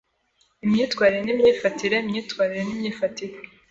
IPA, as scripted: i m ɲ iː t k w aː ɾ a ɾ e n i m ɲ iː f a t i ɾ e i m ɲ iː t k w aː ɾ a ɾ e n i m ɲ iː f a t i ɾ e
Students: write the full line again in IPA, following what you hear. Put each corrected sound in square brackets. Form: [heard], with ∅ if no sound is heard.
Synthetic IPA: i m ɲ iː t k w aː ɾ [i] ɾ e n i m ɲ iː f a t i ɾ e i m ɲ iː t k w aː ɾ [i] ɾ e n i m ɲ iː f a t i ɾ e